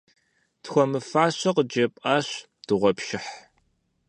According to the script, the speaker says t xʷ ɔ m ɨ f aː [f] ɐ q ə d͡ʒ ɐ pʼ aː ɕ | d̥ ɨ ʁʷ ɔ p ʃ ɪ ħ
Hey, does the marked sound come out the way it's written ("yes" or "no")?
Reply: no